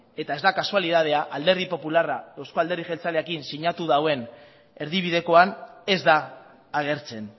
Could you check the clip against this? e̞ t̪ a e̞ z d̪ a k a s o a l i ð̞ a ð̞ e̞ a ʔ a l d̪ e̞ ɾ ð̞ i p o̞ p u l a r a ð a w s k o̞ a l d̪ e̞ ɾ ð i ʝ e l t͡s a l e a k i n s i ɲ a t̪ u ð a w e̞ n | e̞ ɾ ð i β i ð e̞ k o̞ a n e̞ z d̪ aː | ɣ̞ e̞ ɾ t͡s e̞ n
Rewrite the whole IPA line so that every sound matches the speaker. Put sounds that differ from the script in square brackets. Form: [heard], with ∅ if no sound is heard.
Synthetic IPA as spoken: e̞ t̪ a e̞ z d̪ a k a s [u] a l i ð̞ a ð̞ e̞ a ʔ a l d̪ e̞ ɾ ð̞ i p o̞ p u l a r a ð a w s k o̞ a l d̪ e̞ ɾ ð i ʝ e l t͡s a l e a k i n s i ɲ a t̪ u ð a w e̞ n | e̞ ɾ ð i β i ð e̞ k o̞ a n e̞ z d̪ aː | ɣ̞ e̞ ɾ t͡s e̞ n